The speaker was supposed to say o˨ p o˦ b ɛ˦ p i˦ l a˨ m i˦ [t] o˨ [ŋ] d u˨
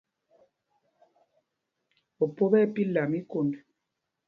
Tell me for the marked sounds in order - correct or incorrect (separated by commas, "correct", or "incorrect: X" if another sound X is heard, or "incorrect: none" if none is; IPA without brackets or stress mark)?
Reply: incorrect: k, incorrect: n